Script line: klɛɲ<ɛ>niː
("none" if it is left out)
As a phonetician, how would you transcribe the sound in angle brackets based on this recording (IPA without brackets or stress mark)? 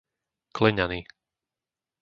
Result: a